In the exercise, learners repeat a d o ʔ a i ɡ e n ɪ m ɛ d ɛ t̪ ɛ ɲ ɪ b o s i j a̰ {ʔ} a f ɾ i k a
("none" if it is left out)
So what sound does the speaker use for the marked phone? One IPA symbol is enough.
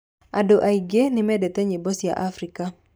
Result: ʔ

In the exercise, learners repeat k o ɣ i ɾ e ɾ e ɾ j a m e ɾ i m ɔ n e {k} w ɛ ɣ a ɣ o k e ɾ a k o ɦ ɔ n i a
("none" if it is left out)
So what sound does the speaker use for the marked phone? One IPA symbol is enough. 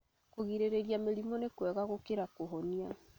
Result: k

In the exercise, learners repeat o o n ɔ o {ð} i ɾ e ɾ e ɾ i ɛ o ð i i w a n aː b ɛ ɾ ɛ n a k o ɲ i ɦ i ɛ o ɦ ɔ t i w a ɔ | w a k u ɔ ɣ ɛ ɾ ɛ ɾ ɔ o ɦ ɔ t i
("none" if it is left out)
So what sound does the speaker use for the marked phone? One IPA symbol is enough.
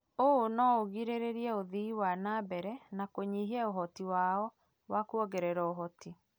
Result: ɣ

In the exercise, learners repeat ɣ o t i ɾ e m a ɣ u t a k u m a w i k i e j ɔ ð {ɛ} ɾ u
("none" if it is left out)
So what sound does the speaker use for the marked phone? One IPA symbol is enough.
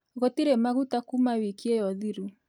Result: i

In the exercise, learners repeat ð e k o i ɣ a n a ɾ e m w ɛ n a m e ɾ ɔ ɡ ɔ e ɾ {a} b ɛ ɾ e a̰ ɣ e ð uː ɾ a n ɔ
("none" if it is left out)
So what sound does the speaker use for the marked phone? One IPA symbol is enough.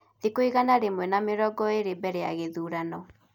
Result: e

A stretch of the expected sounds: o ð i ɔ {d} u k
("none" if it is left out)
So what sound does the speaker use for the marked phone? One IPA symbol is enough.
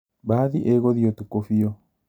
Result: t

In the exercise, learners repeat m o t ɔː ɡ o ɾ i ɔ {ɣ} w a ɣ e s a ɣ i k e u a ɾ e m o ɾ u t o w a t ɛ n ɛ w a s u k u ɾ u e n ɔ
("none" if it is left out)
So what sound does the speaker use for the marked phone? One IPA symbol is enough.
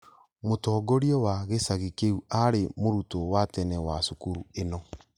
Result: none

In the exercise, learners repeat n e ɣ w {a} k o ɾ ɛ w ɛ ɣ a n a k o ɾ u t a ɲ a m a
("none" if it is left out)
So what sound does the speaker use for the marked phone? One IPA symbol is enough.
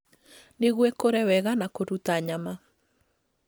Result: ɛ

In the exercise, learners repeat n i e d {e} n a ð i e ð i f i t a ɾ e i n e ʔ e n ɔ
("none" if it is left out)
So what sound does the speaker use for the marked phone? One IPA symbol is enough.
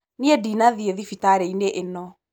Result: i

